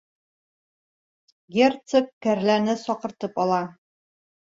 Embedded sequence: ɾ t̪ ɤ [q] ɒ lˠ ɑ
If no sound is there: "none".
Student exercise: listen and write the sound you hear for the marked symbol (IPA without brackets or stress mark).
p